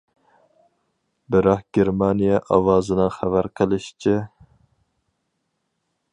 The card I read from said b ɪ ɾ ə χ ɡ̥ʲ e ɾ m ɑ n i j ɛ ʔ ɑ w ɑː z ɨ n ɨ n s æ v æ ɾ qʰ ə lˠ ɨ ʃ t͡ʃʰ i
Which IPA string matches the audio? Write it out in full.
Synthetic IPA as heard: b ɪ ɾ ɑ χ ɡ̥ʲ e ɾ m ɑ n i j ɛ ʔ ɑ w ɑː z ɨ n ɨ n χ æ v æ ɾ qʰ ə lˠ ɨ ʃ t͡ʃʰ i